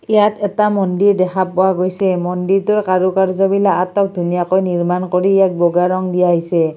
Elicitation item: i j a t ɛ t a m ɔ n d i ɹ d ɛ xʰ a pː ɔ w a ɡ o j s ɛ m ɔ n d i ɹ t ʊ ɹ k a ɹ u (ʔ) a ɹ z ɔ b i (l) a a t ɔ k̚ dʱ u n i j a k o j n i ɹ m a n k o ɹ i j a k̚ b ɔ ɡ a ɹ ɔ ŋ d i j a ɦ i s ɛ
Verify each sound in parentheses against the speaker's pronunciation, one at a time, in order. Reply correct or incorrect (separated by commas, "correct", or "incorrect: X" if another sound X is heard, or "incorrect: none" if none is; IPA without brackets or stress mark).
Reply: incorrect: k, correct